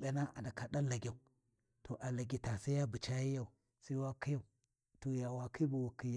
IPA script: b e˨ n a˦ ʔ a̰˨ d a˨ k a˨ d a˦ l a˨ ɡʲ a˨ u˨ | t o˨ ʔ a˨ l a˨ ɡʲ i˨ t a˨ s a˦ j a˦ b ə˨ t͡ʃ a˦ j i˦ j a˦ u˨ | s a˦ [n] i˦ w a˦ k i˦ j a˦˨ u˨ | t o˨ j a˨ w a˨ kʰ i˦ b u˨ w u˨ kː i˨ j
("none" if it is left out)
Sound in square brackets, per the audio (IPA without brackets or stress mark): none